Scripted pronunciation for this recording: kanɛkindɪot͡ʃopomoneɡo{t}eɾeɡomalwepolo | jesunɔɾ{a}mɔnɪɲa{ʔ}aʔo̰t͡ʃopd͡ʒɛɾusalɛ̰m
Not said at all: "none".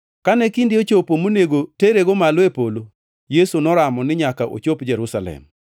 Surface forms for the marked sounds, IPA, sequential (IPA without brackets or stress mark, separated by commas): t, a, k